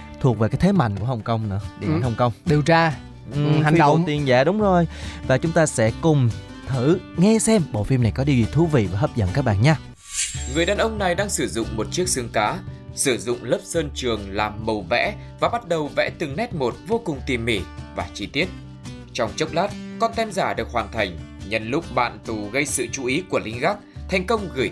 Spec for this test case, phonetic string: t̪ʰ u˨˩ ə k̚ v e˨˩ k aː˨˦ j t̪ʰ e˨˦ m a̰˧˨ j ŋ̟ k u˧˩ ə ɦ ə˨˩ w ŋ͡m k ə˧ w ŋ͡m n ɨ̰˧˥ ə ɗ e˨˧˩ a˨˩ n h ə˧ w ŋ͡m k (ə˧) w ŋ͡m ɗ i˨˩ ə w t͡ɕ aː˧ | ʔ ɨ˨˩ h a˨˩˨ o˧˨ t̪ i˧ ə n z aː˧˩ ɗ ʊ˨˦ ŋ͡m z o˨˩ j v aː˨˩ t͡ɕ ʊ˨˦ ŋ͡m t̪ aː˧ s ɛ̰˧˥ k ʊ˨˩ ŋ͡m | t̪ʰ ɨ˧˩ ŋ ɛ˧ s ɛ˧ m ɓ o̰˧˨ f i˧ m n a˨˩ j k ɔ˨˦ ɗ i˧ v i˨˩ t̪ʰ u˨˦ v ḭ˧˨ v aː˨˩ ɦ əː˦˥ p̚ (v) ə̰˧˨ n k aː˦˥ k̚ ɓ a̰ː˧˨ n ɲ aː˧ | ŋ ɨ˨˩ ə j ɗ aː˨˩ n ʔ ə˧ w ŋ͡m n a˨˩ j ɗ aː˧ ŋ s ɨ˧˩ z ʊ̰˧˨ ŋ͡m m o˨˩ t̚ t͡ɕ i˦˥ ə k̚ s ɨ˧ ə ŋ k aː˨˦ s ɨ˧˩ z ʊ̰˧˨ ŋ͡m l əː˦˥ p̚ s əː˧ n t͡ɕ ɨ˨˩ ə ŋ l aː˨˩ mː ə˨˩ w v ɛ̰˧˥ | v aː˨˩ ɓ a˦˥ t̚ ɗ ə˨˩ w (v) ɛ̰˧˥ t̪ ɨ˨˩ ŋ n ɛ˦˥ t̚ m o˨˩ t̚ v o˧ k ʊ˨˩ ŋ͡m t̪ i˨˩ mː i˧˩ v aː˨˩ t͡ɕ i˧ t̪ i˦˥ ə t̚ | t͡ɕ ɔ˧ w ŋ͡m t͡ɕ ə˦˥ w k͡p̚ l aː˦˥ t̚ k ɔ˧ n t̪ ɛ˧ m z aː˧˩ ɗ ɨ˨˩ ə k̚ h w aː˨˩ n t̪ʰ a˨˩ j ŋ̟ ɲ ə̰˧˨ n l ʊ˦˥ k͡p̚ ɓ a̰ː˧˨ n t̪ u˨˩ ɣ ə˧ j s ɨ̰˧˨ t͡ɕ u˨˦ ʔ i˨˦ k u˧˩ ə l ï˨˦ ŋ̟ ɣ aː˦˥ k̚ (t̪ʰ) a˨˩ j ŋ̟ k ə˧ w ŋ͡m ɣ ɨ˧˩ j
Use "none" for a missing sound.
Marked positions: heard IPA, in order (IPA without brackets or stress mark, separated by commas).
ə˧, z, v, t̪ʰ